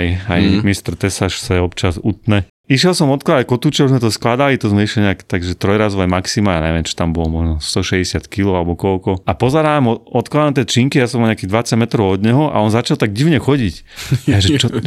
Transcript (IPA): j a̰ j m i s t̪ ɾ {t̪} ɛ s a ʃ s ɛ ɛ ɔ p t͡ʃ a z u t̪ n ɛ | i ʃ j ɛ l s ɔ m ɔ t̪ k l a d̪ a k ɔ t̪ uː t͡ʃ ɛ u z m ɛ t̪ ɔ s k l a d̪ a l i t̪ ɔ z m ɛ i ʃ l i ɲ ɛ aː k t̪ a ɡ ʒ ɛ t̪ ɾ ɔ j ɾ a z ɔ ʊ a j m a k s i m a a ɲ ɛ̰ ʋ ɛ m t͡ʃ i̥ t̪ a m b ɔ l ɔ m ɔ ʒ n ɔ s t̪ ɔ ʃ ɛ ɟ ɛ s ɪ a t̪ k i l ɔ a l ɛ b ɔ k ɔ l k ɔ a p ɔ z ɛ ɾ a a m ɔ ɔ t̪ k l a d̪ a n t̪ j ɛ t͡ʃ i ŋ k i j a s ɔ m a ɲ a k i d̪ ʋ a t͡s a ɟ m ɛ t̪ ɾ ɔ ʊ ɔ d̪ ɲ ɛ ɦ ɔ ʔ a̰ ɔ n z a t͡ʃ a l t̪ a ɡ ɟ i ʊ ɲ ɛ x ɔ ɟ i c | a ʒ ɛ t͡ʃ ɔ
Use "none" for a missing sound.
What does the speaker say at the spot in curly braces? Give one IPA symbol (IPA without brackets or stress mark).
t̪